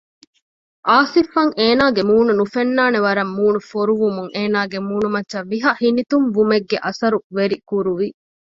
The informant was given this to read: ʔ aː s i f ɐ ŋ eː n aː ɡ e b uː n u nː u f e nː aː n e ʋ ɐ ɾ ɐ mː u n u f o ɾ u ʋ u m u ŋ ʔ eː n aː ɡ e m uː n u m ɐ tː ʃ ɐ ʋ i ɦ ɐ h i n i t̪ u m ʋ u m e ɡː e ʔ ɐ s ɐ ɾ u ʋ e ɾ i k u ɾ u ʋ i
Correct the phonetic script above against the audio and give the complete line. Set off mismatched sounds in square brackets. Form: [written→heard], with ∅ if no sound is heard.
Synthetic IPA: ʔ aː s i f ɐ ŋ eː n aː ɡ e [b→m] uː n u [nː→n] u f e nː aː n e ʋ ɐ ɾ ɐ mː [u→uː] n u f o ɾ u ʋ u m u ŋ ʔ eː n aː ɡ e m uː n u m ɐ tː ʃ ɐ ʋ i ɦ ɐ h i n i t̪ u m ʋ u m e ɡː e ʔ ɐ s ɐ ɾ u ʋ e ɾ i k u ɾ u ʋ i